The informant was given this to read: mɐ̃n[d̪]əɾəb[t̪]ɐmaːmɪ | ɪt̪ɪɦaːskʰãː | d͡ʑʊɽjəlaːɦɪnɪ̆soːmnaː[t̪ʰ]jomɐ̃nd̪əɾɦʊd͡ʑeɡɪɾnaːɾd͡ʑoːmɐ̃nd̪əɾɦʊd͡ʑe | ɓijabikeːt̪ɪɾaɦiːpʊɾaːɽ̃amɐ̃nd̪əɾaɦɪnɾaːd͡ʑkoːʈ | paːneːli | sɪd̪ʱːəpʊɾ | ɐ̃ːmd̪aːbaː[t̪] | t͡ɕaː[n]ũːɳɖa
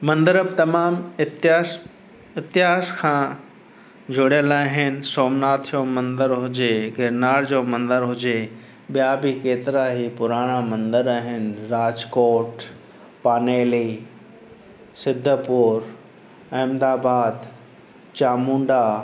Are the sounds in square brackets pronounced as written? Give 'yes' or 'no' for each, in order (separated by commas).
yes, yes, yes, no, no